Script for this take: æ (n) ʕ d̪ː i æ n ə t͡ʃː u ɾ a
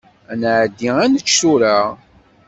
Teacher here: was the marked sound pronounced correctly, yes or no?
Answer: yes